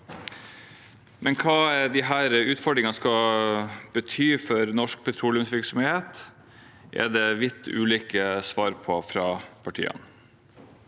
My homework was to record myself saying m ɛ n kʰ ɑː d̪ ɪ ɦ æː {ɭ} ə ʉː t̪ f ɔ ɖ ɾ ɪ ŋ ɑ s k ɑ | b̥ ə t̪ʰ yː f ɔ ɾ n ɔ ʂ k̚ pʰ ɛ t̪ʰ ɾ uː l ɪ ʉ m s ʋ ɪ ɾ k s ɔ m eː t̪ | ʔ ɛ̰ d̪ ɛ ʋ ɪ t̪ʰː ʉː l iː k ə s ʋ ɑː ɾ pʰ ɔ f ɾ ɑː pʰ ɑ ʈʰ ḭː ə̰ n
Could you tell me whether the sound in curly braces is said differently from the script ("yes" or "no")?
yes